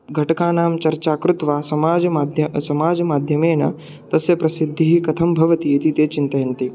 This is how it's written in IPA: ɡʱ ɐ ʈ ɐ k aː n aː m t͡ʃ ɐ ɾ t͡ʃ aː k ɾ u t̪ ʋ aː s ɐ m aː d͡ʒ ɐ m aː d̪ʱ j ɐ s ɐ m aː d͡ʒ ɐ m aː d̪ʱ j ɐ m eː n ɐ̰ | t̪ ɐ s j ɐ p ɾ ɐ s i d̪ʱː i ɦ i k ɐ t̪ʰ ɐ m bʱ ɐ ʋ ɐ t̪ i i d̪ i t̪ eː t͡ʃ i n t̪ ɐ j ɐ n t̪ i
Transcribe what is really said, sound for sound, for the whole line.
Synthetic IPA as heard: ɡʱ ɐ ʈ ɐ k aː n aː m t͡ʃ ɐ ɾ t͡ʃ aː k ɾ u t̪ ʋ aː s ɐ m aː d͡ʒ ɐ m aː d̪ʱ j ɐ s ɐ m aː d͡ʒ ɐ m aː d̪ʱ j ɐ m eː n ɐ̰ | t̪ ɐ s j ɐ p ɾ ɐ s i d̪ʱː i ɦ i k ɐ t̪ʰ ɐ m bʱ ɐ ʋ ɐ t̪ i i t̪ i t̪ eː t͡ʃ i n t̪ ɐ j ɐ n t̪ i